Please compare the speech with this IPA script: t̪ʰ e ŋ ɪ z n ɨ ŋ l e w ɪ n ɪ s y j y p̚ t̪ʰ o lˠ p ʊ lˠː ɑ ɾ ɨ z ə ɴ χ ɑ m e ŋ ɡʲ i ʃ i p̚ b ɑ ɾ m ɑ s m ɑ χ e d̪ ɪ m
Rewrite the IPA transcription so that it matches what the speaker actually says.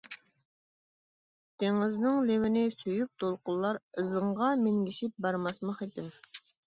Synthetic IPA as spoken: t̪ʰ e ŋ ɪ z n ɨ ŋ l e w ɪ n ɪ s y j y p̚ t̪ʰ o lˠ q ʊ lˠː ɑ ɾ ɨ z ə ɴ ʁ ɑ m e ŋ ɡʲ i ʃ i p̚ b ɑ ɾ m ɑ s m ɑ χ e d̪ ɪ m